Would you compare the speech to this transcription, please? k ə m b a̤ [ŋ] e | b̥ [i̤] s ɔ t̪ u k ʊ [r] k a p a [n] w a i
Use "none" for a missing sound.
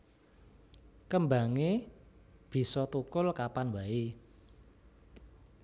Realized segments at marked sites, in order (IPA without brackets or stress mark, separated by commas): ŋ, i̤, l, n